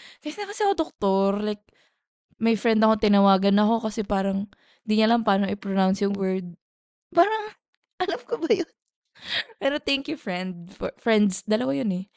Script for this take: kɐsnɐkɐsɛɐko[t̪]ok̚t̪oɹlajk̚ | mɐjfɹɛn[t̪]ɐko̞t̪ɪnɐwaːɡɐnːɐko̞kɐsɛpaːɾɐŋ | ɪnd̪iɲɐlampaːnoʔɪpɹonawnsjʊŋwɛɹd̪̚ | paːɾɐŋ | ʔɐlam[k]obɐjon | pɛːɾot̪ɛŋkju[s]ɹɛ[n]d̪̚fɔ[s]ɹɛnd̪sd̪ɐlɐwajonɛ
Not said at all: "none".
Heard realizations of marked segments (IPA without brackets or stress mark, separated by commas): d̪, d̪, k, f, n, f